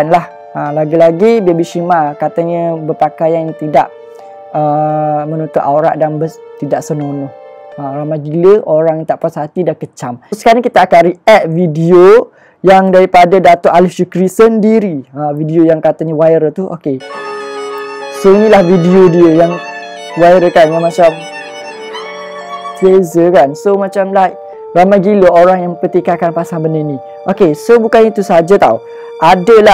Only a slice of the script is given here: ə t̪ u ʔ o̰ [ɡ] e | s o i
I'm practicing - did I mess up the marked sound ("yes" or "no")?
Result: yes